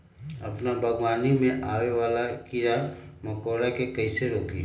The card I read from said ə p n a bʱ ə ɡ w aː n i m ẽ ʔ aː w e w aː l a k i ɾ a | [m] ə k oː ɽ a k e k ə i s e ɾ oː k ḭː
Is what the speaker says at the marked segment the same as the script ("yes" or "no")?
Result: yes